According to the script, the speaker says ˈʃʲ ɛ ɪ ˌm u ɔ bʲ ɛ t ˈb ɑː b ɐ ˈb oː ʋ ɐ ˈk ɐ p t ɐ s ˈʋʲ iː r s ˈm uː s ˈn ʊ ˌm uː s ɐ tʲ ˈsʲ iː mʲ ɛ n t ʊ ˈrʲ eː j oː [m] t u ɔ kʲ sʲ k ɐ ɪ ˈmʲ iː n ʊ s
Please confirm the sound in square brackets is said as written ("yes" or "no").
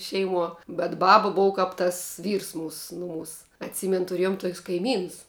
yes